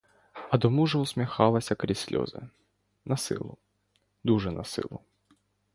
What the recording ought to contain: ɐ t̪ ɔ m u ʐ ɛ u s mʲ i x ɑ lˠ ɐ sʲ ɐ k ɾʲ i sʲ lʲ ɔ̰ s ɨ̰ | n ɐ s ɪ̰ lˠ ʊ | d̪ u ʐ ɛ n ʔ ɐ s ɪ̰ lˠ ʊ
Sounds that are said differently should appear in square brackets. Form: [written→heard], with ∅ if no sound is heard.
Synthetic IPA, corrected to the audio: ɐ [t̪→d̪] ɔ m u ʐ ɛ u s mʲ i x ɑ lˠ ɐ sʲ ɐ k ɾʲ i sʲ lʲ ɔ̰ [s→z] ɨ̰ | n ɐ s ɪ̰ lˠ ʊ | d̪ u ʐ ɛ n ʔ ɐ s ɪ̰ lˠ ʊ